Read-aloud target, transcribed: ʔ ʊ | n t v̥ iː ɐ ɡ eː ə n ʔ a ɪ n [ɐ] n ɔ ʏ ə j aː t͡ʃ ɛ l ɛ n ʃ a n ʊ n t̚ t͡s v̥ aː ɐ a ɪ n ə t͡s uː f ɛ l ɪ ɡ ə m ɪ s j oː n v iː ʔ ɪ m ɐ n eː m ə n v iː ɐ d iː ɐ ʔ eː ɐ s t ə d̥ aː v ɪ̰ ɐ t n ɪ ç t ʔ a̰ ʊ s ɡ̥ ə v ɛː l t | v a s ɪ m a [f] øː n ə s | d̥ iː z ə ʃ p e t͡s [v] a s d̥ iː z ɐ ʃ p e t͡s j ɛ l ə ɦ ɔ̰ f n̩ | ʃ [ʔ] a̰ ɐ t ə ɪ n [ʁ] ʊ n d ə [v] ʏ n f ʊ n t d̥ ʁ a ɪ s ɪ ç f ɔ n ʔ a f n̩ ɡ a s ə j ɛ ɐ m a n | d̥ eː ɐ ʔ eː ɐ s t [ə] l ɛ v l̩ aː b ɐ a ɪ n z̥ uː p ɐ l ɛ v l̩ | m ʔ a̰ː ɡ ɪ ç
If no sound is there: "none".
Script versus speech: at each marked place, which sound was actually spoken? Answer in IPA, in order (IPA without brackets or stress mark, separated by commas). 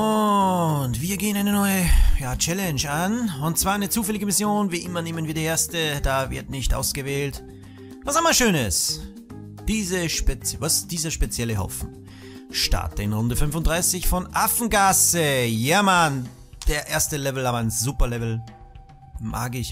ə, ʃ, v, t, ʁ, f, ə